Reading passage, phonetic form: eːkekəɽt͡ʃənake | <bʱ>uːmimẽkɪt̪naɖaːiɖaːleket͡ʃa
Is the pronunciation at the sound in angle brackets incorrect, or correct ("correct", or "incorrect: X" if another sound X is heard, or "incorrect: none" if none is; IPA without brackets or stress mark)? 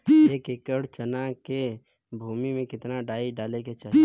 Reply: correct